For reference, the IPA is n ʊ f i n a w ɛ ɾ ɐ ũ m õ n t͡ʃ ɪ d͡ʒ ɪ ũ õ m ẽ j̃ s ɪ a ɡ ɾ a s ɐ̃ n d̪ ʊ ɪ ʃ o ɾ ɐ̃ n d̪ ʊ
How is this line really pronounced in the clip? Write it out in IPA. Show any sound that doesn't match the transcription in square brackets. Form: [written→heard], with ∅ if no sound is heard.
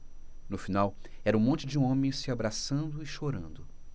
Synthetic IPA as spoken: n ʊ f i n a w ɛ ɾ ɐ ũ m õ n t͡ʃ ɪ d͡ʒ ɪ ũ õ m ẽ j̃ s ɪ a [ɡ→b] ɾ a s ɐ̃ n d̪ ʊ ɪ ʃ o ɾ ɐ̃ n d̪ ʊ

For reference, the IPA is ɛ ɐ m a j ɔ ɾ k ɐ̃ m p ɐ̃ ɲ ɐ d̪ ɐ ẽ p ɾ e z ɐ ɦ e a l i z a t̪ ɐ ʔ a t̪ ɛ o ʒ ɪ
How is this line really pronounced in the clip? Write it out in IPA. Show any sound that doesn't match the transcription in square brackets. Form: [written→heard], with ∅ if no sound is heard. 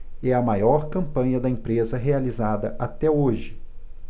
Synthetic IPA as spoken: ɛ ɐ m a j ɔ ɾ k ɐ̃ m p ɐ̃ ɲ ɐ d̪ ɐ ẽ p ɾ e z ɐ ɦ e a l i z a [t̪→d̪] ɐ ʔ a t̪ ɛ o ʒ ɪ

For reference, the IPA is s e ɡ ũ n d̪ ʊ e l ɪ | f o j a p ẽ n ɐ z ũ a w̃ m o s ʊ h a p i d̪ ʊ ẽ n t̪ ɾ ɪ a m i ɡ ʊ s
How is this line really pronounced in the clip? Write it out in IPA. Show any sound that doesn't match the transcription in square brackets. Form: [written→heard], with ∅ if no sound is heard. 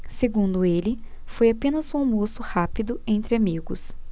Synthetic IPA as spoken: s e ɡ ũ n d̪ ʊ e l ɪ | f o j a p ẽ n ɐ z ũ a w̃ m o s ʊ h a p i d̪ ʊ ẽ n t̪ ɾ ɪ a m i ɡ ʊ s

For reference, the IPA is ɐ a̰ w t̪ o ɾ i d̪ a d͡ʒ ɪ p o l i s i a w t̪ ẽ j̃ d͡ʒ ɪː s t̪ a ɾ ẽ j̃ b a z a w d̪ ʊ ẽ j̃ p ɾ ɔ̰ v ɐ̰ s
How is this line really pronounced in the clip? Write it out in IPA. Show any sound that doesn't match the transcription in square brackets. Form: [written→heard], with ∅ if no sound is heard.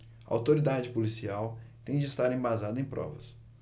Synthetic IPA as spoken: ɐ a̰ w t̪ o ɾ i d̪ a d͡ʒ ɪ p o l i s i a w t̪ ẽ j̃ d͡ʒ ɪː s t̪ a ɾ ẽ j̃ b a z a [w→∅] d̪ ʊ ẽ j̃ p ɾ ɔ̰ v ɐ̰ s

